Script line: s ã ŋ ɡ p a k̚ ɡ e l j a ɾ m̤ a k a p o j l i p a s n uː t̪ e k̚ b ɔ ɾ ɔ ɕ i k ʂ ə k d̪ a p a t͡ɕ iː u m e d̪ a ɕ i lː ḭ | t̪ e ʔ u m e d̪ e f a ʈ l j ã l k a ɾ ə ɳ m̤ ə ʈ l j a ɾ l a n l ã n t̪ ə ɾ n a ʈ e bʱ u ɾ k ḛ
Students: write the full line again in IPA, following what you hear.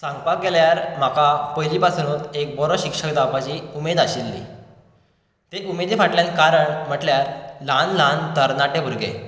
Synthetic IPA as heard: s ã ŋ ɡ p a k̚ ɡ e l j a ɾ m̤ a k a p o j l i p a s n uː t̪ e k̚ b ɔ ɾ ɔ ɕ i k ʂ ə k d̪ a p a t͡ɕ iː u m e d̪ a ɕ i lː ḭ | t̪ e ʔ u m e d̪ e f a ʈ l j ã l k a ɾ ə ɳ m̤ ə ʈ l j a ɾ l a n l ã n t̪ ə ɾ n a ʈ e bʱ u ɾ ɡ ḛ